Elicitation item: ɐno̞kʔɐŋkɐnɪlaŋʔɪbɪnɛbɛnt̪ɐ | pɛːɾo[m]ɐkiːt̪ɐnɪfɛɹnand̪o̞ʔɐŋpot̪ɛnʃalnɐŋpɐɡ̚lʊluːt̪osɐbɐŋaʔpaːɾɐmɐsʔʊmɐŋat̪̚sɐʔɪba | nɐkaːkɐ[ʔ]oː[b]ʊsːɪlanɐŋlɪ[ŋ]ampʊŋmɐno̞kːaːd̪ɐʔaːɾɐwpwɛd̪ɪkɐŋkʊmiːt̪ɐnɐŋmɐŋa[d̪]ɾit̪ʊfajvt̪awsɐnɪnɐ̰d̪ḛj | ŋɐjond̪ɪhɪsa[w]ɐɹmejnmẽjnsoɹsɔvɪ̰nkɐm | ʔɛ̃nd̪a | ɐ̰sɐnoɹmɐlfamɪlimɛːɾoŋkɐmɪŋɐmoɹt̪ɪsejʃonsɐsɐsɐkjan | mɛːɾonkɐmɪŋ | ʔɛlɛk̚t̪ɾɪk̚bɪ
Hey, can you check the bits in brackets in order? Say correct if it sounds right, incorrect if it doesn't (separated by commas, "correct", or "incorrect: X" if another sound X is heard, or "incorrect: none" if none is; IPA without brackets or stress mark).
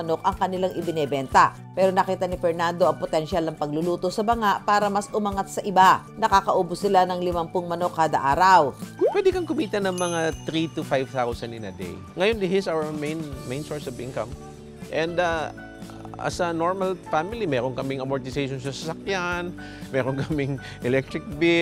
incorrect: n, correct, correct, incorrect: m, incorrect: t̪, correct